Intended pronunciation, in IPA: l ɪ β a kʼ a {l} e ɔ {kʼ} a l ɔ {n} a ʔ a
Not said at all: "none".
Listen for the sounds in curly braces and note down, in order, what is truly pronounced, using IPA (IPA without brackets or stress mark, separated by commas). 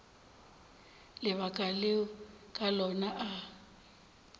l, kʼ, n